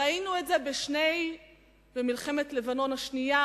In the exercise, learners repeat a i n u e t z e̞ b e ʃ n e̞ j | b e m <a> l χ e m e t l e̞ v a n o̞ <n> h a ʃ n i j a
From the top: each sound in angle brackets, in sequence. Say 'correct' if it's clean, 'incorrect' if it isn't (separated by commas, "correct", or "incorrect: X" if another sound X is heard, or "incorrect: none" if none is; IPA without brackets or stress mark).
incorrect: i, correct